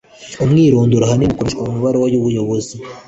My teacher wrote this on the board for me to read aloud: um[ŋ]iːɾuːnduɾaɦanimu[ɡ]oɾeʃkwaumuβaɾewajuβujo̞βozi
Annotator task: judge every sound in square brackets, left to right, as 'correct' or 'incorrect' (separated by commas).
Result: correct, incorrect